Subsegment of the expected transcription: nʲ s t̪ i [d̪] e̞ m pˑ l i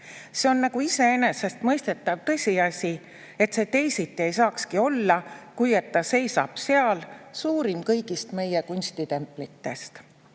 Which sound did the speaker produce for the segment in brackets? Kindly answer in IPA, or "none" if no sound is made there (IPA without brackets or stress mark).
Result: t̪